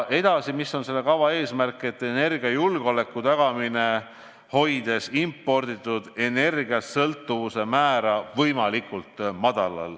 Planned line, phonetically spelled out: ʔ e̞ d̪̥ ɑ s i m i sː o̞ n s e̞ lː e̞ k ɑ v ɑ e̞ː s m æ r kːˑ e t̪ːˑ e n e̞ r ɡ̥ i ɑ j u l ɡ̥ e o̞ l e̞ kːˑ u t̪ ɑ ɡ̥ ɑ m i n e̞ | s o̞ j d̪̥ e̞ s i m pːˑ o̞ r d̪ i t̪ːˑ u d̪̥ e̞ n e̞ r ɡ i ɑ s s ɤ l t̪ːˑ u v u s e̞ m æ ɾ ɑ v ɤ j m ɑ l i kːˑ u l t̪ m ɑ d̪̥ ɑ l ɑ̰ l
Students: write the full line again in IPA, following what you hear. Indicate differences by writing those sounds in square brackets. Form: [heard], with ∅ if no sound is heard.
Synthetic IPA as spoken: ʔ e̞ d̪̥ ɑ s i m i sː o̞ n s e̞ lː e̞ k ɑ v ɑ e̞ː s m æ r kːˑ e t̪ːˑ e n e̞ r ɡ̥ i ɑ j u l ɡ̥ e o̞ l e̞ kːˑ u t̪ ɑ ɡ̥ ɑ m i n e̞ | [h] o̞ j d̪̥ e̞ s i m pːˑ o̞ r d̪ i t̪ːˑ u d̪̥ e̞ n e̞ r ɡ i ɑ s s ɤ l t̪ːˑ u v u s e̞ m [æː] ɾ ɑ v ɤ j m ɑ l i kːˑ u l t̪ m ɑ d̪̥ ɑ l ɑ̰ l